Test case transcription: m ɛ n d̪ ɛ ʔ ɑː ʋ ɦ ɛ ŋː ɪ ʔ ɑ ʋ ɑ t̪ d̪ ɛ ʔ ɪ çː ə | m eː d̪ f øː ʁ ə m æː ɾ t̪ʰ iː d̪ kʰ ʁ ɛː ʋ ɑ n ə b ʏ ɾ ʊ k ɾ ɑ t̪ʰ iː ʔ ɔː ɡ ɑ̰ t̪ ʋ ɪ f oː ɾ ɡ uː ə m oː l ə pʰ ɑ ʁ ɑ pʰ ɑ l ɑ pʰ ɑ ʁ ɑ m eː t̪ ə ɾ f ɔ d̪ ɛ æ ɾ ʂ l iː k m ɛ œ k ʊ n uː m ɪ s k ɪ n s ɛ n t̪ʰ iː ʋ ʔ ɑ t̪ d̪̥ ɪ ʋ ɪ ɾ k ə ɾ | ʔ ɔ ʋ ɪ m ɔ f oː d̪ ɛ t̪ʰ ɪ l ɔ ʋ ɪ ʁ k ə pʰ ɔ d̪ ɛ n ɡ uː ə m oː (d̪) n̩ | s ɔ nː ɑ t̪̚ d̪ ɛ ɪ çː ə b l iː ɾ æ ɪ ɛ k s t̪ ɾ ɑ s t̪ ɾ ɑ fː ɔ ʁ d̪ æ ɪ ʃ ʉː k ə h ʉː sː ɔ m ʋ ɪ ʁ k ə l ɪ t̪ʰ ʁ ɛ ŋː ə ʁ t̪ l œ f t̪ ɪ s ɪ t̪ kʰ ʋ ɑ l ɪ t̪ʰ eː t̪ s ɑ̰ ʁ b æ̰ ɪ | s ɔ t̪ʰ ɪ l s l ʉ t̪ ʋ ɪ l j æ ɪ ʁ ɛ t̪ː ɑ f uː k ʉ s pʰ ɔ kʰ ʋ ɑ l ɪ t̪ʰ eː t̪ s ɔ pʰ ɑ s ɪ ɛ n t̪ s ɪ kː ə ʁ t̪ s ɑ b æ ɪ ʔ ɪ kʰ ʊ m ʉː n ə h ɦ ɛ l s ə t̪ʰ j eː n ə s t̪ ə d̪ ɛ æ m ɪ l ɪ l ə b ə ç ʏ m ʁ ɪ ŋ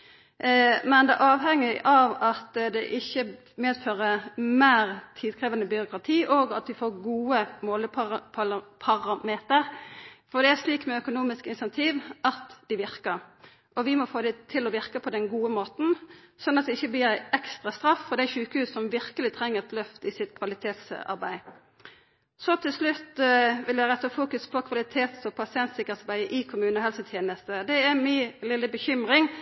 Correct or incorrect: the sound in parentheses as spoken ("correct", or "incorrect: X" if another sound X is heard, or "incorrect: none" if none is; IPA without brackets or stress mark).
incorrect: t̪